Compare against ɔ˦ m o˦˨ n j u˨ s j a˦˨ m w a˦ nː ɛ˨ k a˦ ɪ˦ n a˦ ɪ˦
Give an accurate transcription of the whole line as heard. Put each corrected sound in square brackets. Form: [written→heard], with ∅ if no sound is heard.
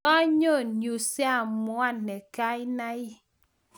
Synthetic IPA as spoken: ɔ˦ [m→ɲ] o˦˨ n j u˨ s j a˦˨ m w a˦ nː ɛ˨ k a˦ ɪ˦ n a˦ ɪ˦

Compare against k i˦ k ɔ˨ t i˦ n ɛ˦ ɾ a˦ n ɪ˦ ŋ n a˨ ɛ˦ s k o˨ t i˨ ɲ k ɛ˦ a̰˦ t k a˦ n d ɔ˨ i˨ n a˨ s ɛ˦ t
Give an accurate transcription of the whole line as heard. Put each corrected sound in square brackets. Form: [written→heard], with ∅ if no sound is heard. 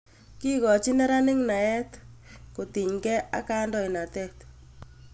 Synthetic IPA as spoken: k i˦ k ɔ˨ [t→t͡ʃ] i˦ n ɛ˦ ɾ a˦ n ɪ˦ ŋ n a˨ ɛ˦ [s→t] k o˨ t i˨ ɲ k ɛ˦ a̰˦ [t→∅] k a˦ n d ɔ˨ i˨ n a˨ [s→t] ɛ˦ t

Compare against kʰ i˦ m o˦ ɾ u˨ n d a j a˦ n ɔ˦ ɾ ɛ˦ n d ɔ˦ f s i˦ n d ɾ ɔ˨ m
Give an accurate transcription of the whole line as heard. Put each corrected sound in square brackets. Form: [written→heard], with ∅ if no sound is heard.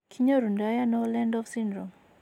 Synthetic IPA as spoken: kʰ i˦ [m→ɲ] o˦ ɾ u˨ n d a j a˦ n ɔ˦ [ɾ→l] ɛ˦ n d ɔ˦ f s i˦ n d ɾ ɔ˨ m

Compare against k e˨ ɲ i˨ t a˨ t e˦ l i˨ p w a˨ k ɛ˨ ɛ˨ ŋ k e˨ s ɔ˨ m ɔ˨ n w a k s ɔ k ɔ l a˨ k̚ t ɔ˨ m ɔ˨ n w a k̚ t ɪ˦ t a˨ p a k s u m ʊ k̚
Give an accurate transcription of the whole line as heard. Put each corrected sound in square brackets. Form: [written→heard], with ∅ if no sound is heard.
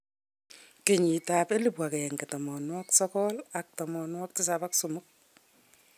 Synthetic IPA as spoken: k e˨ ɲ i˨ t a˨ [t→p] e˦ l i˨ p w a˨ k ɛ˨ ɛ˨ ŋ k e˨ [s→t] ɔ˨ m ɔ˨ n w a k s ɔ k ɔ l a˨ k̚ t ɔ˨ m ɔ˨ n w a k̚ t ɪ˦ [t→s] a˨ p a k s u m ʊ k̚

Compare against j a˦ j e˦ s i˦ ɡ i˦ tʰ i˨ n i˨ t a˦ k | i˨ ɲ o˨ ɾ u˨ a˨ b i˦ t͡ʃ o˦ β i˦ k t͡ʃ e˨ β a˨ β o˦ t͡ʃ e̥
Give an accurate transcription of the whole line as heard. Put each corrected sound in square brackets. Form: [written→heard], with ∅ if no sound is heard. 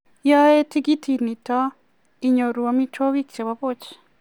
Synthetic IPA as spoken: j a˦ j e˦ [s→t] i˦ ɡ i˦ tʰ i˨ n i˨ t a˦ [k→∅] | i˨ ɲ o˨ ɾ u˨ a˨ [b→m] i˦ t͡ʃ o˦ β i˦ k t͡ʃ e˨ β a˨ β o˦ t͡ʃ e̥

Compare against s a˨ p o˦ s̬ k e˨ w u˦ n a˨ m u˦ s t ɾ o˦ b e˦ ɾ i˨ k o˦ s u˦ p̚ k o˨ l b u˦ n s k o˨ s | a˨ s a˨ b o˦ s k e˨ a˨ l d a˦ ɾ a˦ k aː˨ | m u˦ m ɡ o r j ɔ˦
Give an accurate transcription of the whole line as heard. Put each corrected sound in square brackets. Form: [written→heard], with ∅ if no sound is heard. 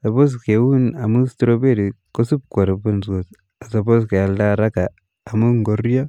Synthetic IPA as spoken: s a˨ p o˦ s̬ k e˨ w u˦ n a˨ m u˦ s t ɾ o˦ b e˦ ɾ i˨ k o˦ s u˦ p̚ k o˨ [l→ɾ] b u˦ n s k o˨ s | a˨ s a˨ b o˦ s k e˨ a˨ l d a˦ ɾ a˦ k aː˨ | m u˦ [m→ŋ] ɡ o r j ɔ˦

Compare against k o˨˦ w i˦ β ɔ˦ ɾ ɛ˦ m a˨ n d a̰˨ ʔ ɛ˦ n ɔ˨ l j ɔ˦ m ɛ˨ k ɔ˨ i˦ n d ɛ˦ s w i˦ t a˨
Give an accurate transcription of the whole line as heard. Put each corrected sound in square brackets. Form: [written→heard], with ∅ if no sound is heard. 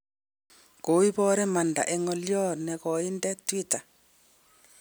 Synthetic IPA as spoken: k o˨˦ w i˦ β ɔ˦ ɾ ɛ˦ m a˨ n d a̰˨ ʔ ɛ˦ [n→ŋ] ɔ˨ l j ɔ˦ [m→n] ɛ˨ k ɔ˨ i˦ n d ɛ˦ [s→t] w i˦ t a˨

